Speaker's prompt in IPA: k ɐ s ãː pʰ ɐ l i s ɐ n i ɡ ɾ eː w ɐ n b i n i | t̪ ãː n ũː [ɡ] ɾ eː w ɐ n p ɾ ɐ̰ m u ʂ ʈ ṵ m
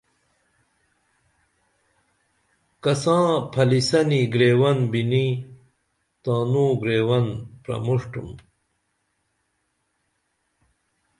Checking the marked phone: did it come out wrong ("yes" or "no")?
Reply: no